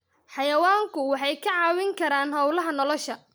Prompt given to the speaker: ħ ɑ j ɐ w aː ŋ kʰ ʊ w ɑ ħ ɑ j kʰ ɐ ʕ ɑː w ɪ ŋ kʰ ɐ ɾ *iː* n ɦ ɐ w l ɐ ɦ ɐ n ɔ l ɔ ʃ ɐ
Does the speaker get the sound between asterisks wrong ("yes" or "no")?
yes